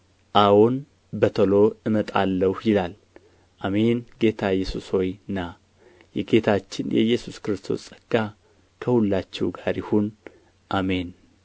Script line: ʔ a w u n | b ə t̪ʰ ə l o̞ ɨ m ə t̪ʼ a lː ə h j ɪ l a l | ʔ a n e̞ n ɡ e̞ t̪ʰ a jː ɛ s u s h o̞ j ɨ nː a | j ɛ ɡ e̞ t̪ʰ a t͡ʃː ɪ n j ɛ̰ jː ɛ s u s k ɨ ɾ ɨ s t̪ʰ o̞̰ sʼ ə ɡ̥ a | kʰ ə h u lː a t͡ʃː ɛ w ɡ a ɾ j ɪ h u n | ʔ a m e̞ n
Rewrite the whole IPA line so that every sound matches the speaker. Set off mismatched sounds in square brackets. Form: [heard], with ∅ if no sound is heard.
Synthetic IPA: ʔ a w [o] n | b ə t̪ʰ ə l o̞ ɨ m ə t̪ʼ a lː ə h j ɪ l a l | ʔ a [m] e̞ n ɡ e̞ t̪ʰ a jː ɛ s u s h o̞ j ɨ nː a | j ɛ ɡ e̞ t̪ʰ a t͡ʃː ɪ n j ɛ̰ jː ɛ s u s k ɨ ɾ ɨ s t̪ʰ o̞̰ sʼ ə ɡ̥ a | kʰ ə h u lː a t͡ʃː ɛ w ɡ a ɾ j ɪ h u n | ʔ a m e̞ n